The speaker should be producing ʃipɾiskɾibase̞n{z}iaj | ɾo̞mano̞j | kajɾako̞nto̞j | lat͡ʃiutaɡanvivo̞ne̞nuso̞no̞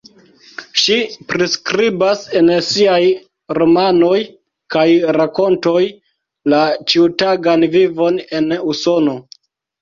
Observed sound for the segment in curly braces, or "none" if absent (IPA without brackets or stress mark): s